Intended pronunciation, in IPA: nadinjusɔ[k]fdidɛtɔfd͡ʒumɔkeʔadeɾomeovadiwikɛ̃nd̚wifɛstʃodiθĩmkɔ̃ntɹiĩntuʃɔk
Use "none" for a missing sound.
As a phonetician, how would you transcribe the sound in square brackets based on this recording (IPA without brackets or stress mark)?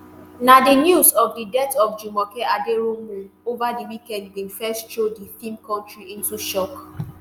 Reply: none